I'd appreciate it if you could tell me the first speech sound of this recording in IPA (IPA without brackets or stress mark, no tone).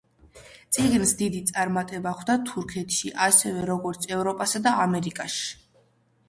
t̪